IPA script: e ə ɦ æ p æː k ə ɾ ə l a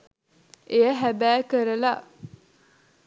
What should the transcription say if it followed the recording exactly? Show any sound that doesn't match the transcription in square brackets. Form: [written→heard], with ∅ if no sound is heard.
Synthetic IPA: e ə ɦ æ [p→b] æː k ə ɾ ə l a